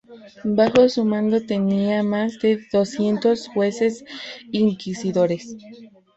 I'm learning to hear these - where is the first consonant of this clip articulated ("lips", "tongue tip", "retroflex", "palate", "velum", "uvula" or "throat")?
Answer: lips